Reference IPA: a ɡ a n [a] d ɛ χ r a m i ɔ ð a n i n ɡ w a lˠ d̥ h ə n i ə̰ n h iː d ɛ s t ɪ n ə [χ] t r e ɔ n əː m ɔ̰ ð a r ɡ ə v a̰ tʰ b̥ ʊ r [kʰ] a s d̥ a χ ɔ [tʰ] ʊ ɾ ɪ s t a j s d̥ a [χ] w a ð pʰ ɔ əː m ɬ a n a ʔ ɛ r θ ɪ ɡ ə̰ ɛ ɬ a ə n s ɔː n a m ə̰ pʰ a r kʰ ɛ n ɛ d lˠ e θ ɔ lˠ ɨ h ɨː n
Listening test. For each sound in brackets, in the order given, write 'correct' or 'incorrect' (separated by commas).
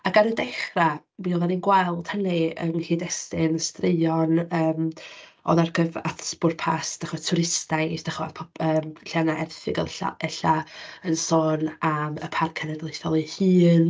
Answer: incorrect, incorrect, incorrect, correct, correct